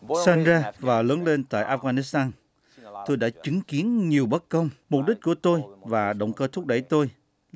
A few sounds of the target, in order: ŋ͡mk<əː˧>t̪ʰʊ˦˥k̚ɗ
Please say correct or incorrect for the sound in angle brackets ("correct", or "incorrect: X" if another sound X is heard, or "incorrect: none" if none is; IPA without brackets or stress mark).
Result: correct